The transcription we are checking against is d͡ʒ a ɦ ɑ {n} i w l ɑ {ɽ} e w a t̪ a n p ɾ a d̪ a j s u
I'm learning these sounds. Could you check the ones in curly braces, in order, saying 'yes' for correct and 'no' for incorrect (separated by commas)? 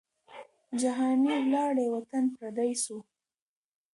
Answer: yes, yes